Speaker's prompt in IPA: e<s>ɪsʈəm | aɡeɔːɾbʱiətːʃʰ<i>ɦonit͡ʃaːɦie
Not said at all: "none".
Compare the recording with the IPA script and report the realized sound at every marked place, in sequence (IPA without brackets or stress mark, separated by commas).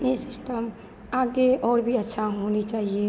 s, a